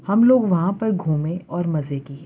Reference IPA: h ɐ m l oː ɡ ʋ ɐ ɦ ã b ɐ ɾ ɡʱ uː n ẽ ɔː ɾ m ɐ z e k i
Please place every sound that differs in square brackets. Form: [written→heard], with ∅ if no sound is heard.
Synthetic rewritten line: h ɐ m l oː ɡ ʋ ɐ ɦ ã [b→p] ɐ ɾ ɡʱ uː [n→m] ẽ ɔː ɾ m ɐ z e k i